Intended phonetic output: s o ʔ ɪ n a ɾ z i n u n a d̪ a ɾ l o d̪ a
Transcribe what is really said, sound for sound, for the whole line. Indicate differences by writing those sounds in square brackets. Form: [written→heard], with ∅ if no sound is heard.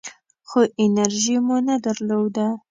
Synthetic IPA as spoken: [s→x] o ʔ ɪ n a ɾ [z→ʒ] i [n→m] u n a d̪ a ɾ l o d̪ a